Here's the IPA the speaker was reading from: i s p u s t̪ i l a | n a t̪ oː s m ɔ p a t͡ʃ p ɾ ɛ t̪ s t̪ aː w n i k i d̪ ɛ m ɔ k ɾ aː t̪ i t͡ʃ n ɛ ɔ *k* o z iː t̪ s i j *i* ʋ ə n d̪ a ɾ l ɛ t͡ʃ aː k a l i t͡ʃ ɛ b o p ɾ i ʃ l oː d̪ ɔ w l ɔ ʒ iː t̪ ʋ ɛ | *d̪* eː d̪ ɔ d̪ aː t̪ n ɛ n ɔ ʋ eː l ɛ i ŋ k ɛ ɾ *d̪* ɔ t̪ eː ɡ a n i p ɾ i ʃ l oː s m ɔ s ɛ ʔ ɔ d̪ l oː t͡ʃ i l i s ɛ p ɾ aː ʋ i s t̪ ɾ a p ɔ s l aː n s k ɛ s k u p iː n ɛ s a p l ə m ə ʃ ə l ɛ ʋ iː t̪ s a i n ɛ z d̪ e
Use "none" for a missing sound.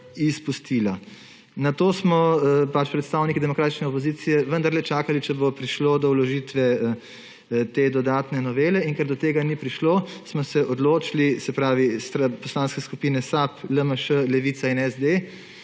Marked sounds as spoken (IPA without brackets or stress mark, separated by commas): p, ɛ, t̪, d̪